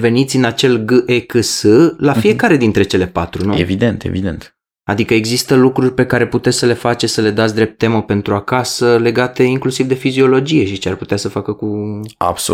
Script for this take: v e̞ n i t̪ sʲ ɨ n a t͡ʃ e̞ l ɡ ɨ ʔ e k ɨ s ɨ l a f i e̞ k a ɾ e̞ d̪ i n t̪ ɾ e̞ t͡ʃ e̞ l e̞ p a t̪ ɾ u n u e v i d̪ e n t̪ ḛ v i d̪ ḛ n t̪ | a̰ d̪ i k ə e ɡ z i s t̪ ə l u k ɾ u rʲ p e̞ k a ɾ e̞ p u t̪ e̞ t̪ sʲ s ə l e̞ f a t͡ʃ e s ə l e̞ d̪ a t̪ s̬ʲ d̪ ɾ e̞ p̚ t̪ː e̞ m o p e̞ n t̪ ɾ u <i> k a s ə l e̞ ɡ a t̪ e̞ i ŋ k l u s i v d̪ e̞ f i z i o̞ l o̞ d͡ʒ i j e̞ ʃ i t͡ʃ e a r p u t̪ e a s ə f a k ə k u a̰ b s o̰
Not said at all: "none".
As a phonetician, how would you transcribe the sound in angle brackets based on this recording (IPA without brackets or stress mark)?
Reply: a